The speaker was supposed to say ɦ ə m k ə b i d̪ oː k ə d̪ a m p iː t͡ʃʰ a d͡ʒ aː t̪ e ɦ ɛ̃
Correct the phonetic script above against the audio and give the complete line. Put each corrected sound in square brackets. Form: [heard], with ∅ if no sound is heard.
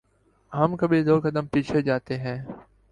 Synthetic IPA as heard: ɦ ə m k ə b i d̪ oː k ə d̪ [ə] m p iː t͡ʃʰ [e] d͡ʒ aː t̪ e ɦ [ɛ̃ː]